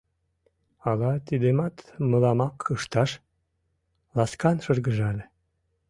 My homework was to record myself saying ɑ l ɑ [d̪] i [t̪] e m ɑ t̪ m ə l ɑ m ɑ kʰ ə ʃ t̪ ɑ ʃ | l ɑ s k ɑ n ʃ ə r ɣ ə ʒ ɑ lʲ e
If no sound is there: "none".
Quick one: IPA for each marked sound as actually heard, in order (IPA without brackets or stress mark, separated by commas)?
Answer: t̪, d̪